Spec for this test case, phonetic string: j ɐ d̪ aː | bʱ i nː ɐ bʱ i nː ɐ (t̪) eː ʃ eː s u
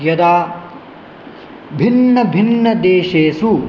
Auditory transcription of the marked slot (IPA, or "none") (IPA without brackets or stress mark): d̪